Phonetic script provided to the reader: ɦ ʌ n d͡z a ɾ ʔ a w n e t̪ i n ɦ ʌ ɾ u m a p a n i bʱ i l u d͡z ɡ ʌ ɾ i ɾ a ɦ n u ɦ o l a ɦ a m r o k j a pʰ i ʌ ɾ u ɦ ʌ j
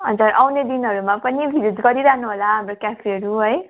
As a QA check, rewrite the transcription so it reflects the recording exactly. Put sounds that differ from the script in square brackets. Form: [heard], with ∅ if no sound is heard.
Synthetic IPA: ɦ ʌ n d͡z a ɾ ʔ a w n e [d̪] i n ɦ ʌ ɾ u m a p [ʌ] n i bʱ i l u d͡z ɡ ʌ ɾ i ɾ a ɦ n u ɦ o l a ɦ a m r o k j a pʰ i ʌ ɾ u ɦ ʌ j